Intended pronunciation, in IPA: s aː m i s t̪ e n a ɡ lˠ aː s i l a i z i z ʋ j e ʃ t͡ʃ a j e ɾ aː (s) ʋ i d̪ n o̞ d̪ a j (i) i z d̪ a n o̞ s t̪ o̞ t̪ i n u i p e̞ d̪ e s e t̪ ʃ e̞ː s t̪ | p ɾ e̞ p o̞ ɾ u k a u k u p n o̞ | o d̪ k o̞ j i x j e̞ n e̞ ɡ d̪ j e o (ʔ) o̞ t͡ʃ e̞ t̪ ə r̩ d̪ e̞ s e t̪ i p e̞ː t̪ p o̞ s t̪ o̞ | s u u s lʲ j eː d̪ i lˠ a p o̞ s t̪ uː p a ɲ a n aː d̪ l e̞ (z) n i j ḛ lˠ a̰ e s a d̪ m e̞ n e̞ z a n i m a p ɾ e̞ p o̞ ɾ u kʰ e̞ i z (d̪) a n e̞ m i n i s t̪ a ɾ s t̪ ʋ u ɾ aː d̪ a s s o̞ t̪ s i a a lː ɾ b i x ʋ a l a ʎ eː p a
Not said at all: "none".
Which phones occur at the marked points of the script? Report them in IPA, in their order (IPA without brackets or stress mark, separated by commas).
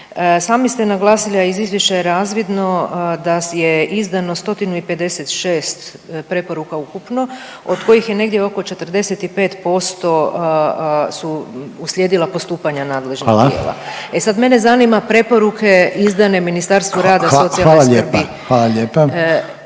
z, e, k, ʒ, d̪